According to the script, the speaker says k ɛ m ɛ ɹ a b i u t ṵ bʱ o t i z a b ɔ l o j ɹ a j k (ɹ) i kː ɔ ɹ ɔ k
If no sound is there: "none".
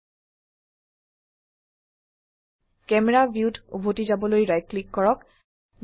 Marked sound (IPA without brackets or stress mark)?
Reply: l